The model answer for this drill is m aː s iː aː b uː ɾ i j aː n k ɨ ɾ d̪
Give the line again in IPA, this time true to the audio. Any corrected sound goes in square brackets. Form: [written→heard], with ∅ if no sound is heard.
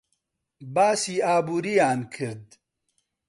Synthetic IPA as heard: [m→b] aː s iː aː b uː ɾ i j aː n [k→kʰ] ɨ ɾ d̪